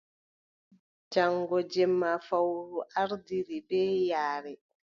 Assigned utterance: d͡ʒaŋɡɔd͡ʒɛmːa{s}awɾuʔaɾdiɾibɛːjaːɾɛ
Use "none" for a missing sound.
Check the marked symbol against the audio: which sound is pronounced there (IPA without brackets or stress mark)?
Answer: f